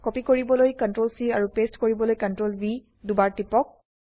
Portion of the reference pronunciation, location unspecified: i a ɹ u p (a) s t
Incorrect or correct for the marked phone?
incorrect: e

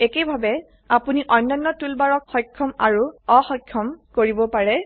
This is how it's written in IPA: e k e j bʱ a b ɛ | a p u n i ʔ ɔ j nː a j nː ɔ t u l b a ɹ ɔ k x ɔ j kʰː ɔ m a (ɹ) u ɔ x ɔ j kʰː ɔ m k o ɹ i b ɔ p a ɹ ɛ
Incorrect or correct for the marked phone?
correct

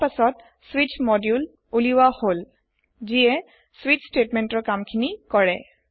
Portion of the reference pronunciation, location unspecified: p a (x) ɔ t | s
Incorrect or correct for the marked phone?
incorrect: s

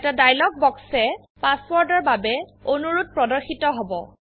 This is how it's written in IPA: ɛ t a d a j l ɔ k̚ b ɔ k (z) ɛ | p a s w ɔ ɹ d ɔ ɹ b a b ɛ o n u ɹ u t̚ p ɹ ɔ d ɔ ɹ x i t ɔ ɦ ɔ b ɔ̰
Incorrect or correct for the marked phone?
incorrect: s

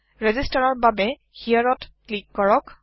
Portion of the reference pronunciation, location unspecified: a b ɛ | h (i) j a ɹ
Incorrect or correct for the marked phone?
correct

